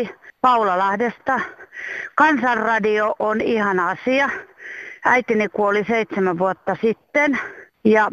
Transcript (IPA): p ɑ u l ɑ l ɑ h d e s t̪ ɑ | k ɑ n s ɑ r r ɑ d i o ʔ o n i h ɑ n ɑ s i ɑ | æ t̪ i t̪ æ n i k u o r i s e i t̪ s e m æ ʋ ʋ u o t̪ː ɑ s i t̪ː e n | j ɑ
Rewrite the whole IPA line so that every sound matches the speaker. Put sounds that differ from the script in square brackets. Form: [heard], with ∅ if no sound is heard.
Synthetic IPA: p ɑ u l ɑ l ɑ h d e s t̪ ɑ | k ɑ n s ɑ r r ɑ d i o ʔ o n i h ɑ n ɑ s i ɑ | æ [∅] i t̪ [i] n i k u o [l] i s e i t̪ s e m æ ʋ ʋ u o t̪ː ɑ s i t̪ː e n | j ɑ